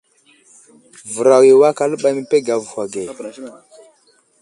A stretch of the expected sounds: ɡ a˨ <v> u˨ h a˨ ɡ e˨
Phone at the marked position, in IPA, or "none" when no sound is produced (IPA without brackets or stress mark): v